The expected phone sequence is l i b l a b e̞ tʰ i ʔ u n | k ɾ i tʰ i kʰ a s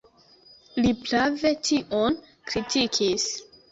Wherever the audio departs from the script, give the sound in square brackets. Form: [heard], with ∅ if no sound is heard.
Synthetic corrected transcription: l i [p] l a [v] e̞ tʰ i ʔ [o] n | k ɾ i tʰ i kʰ [i] s